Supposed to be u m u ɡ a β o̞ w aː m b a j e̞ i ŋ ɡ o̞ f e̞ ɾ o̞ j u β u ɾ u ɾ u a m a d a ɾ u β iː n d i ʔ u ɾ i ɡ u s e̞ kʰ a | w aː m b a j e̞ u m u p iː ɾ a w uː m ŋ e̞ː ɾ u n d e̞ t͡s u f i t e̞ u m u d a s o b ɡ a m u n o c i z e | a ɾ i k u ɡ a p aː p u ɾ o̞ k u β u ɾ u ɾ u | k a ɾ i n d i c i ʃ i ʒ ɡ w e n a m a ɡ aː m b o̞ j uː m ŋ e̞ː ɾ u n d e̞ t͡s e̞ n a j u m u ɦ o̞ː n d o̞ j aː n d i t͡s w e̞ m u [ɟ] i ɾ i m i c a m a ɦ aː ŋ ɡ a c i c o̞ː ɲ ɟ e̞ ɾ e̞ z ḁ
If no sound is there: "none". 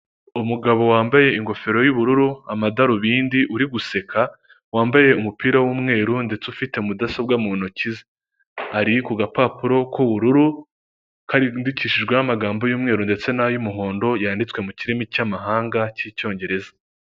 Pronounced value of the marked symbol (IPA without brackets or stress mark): c